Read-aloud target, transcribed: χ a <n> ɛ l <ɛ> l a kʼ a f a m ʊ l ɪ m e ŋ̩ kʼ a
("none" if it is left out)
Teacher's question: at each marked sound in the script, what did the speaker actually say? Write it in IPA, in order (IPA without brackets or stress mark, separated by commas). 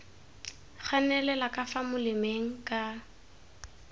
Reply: n, ɛ